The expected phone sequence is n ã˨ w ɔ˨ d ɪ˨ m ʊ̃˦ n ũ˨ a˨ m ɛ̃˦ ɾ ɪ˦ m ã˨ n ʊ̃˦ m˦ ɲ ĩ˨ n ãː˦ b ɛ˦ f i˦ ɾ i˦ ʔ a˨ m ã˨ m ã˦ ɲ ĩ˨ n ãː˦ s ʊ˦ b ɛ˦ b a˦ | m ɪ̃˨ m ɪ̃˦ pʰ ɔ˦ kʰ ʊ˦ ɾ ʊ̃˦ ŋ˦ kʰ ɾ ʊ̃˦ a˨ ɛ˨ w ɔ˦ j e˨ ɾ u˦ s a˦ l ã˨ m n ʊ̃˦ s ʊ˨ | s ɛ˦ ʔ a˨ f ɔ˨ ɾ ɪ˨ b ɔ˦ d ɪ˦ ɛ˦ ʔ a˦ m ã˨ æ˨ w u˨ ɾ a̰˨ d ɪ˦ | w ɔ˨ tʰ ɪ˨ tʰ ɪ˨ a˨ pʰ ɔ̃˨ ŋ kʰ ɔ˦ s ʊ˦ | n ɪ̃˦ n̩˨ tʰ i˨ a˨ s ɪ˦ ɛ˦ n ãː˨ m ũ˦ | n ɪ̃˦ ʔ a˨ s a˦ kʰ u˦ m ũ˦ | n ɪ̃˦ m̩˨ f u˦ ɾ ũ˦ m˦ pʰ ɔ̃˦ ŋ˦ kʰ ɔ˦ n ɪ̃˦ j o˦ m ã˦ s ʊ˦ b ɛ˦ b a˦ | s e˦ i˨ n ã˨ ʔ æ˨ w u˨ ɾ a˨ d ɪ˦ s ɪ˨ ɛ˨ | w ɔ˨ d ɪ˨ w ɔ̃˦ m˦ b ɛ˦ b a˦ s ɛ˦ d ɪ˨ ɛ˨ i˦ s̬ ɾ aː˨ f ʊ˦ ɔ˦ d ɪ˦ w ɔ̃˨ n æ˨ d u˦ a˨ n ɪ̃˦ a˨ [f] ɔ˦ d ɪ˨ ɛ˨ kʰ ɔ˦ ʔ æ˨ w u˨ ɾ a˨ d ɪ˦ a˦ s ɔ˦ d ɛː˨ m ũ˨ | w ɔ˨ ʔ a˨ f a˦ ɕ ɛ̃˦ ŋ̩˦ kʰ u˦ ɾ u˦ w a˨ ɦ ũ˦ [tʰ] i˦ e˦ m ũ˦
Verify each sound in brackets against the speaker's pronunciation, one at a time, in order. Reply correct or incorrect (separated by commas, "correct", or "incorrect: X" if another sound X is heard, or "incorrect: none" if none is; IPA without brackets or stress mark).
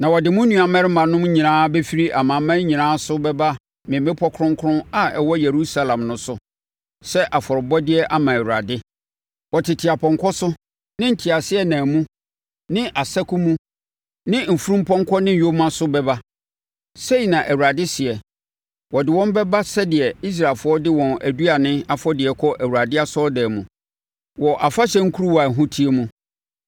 correct, correct